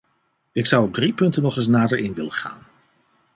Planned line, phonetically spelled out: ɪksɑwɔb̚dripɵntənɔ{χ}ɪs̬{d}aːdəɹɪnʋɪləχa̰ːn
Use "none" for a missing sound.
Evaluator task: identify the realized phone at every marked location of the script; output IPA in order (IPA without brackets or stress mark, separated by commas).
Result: χ, n